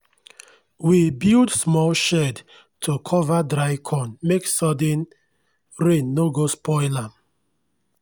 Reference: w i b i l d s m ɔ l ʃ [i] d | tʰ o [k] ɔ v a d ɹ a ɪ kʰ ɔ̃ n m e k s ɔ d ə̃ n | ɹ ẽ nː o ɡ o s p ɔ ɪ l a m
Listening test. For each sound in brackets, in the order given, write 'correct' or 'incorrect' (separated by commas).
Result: incorrect, incorrect